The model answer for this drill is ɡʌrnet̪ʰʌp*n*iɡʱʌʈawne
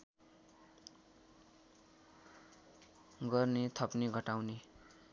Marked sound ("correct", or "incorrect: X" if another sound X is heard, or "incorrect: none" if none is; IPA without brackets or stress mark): correct